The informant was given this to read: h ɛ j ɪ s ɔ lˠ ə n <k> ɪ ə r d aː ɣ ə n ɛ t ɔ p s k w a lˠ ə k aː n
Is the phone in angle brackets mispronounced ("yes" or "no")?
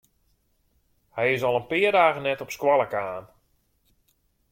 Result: yes